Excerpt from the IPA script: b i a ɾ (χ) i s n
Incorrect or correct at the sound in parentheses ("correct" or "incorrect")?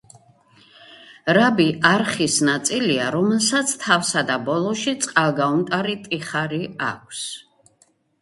correct